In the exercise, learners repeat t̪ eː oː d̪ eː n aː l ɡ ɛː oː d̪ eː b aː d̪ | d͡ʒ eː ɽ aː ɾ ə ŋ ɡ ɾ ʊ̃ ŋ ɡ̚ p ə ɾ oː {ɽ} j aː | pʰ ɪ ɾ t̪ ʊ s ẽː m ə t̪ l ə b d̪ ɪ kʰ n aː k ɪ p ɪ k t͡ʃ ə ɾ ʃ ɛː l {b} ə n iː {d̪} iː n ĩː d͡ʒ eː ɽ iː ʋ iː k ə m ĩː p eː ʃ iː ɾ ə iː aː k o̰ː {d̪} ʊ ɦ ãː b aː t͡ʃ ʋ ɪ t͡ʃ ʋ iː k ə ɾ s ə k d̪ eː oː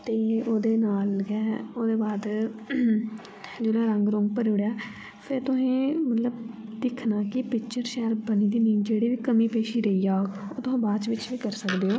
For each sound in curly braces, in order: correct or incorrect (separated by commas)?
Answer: correct, correct, correct, incorrect